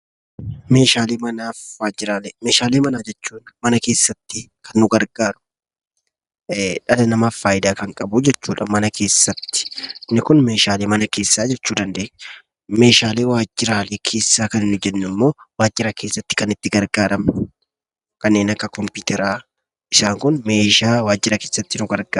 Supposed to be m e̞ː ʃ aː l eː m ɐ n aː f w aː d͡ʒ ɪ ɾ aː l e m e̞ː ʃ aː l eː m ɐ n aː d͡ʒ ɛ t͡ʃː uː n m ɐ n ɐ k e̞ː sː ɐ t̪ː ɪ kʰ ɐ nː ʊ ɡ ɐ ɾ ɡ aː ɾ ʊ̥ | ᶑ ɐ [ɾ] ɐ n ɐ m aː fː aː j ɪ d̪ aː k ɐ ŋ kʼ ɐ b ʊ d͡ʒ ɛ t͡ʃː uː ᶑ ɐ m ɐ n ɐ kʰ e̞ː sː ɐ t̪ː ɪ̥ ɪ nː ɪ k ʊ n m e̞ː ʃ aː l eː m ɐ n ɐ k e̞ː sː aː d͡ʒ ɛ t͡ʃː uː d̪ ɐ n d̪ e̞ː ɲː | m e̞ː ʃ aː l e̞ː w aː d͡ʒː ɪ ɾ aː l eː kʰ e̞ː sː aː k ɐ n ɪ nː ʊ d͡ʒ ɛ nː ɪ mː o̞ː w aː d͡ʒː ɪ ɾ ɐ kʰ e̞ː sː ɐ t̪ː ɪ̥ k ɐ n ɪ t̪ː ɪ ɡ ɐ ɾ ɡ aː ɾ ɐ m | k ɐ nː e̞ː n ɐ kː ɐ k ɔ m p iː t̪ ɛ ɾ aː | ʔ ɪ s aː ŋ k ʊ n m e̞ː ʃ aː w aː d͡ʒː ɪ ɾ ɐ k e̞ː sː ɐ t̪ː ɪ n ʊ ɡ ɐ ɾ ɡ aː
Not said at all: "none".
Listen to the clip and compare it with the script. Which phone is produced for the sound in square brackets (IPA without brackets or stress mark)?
l